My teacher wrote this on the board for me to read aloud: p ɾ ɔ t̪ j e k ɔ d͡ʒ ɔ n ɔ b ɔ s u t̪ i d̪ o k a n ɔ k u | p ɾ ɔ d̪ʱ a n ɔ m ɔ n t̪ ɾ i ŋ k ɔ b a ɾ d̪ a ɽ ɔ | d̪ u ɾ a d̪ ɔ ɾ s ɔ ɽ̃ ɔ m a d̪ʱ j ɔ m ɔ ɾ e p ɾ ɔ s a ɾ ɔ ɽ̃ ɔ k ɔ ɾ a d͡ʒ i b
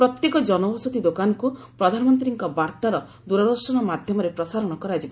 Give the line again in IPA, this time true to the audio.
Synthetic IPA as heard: p ɾ ɔ t̪ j e k ɔ d͡ʒ ɔ n ɔ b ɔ s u t̪ i d̪ o k a n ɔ k u | p ɾ ɔ d̪ʱ a n ɔ m ɔ n t̪ ɾ i ŋ k ɔ b a ɾ t̪ a ɾ ɔ | d̪ u ɾ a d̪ ɔ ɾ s ɔ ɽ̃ ɔ m a d̪ʱ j ɔ m ɔ ɾ e p ɾ ɔ s a ɾ ɔ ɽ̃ ɔ k ɔ ɾ a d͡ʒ i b

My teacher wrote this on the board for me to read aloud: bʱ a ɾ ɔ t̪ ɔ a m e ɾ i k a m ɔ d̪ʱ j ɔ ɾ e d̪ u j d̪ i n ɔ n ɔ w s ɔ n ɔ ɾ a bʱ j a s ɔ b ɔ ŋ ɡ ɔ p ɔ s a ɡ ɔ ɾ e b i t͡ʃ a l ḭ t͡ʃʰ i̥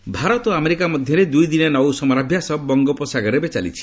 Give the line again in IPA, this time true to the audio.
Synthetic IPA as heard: bʱ a ɾ ɔ t̪ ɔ a m e ɾ i k a m ɔ d̪ʱ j ɔ ɾ e d̪ u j d̪ i n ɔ n ɔ w s ɔ m ɔ ɾ a bʱ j a s ɔ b ɔ ŋ ɡ ɔ p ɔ s a ɡ ɔ ɾ e b e t͡ʃ a l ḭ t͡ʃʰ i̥

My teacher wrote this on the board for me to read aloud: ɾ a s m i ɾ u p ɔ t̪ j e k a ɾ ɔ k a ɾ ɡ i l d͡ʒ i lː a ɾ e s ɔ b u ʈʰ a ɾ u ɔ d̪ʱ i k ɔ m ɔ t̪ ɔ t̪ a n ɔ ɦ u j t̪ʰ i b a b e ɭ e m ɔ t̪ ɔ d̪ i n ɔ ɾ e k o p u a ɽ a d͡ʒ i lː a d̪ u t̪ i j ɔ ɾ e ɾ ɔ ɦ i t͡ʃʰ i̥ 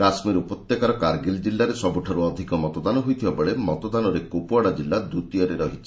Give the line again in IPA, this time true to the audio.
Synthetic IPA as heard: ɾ a s m i ɾ u p ɔ t̪ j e k a ɾ ɔ k a ɾ ɡ i l d͡ʒ i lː a ɾ e s ɔ b u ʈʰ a ɾ u ɔ d̪ʱ i k ɔ m ɔ t̪ ɔ d̪ a n ɔ ɦ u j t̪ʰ i b a b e ɭ e m ɔ t̪ ɔ d̪ a n ɔ ɾ e k o p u a ɽ a d͡ʒ i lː a d̪ u t̪ i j ɔ ɾ e ɾ ɔ ɦ i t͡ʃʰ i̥

